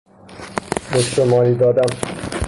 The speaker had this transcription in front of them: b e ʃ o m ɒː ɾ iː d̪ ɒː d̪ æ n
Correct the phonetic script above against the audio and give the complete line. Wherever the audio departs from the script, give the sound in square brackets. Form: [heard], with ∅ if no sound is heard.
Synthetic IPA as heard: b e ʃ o m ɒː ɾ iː d̪ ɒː d̪ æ [m]